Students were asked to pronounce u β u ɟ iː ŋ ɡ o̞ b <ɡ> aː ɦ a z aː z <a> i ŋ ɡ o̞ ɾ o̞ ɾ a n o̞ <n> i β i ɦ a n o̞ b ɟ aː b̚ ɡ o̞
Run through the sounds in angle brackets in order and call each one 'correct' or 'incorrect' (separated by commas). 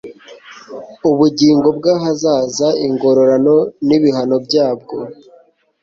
correct, correct, correct